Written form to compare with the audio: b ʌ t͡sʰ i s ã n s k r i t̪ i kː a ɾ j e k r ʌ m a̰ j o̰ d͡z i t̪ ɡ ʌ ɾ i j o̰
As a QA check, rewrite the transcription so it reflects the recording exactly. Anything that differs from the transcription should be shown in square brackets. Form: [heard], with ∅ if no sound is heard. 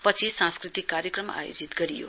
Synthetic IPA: [p] ʌ t͡sʰ i s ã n s k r i t̪ i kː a ɾ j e k r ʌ m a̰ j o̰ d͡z i t̪ ɡ ʌ ɾ i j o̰